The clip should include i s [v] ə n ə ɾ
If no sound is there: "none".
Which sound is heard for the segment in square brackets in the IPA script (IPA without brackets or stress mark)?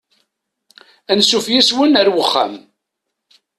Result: w